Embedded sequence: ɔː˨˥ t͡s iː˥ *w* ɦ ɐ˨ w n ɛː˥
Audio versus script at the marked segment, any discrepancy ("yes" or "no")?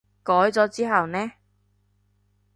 yes